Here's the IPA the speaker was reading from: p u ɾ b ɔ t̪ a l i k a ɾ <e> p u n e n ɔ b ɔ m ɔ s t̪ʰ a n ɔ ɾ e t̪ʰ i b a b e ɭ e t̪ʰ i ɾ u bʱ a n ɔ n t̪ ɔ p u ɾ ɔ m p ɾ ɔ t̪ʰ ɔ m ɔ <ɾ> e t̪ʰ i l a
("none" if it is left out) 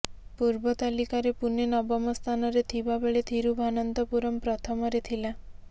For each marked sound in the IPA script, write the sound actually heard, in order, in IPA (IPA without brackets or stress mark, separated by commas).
e, ɾ